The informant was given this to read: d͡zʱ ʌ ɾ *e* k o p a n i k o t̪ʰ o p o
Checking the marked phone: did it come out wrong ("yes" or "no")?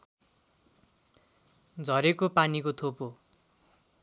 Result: no